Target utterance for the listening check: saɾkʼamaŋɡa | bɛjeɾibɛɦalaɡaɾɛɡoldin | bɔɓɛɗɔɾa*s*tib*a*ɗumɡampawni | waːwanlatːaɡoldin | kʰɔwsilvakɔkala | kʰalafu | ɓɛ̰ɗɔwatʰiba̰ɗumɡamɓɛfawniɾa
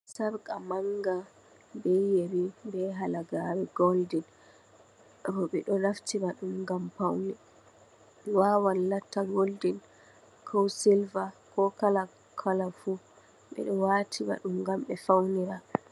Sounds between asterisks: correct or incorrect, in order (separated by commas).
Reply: incorrect, correct